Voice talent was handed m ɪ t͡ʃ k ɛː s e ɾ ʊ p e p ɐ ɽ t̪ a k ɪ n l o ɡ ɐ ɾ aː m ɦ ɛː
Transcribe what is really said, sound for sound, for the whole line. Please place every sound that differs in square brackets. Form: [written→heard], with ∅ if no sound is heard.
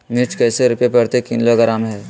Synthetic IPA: m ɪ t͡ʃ k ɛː s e ɾ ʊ p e p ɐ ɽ t̪ [a→e] k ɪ n l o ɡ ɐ ɾ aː m ɦ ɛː